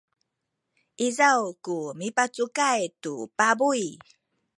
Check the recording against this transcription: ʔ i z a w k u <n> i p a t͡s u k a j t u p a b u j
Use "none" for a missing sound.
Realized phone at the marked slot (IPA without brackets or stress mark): m